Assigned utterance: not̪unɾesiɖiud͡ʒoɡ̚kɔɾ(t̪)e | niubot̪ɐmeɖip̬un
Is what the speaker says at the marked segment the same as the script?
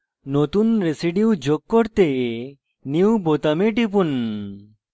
yes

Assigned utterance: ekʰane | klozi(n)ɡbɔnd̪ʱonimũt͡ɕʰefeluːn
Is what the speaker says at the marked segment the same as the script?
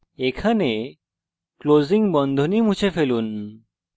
no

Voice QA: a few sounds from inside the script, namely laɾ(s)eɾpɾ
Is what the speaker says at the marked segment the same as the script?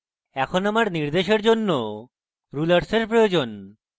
yes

